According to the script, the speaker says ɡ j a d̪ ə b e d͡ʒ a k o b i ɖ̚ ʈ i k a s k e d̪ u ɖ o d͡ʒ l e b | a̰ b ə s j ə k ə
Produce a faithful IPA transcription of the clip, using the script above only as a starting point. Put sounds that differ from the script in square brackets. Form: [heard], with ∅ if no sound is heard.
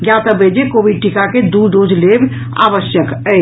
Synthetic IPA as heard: ɡ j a [t̪] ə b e d͡ʒ [e] k o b i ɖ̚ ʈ i k a [∅] k e d̪ u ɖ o d͡ʒ l e b | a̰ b ə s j ə k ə